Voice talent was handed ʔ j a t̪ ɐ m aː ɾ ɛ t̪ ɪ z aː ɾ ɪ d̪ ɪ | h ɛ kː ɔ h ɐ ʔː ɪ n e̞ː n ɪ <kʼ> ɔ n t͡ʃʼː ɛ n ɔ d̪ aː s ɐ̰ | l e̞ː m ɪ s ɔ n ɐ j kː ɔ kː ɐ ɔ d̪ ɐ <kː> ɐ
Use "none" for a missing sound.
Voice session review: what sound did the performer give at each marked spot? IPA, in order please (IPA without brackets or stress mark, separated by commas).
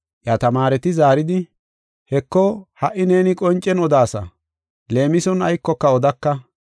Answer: kʼ, kː